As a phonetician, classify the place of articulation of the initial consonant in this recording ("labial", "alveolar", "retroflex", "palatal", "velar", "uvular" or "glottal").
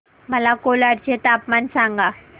labial